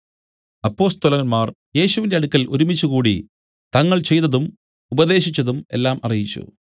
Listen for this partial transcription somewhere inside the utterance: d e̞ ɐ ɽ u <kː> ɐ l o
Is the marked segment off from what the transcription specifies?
no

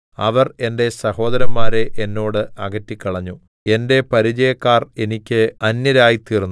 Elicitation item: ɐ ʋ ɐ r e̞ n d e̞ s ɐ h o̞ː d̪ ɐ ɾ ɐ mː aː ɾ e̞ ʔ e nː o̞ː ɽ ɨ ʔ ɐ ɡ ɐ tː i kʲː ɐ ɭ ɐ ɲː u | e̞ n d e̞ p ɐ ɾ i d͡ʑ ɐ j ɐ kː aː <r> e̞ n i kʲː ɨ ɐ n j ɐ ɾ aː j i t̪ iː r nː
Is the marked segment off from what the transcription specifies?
no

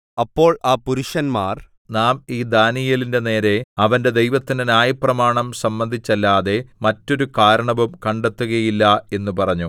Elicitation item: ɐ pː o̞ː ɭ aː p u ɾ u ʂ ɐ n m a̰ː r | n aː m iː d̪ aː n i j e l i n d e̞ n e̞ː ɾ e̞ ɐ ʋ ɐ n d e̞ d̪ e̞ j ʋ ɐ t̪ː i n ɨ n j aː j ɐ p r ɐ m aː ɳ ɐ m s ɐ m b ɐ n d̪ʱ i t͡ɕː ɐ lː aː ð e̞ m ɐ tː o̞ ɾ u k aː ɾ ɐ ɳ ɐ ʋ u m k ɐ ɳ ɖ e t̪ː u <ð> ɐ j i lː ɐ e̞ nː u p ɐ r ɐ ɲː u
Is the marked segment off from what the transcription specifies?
yes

